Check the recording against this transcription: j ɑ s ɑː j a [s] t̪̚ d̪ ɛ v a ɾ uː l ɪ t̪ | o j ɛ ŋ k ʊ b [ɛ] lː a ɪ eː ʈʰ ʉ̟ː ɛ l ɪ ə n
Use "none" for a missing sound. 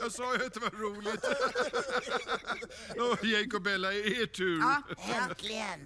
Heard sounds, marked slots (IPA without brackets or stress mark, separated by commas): none, ɛ